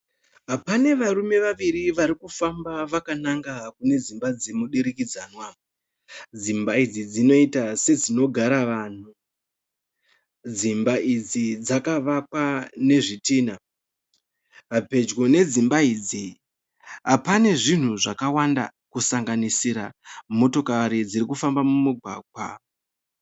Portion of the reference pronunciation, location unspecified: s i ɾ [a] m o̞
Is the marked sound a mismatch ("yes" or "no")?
no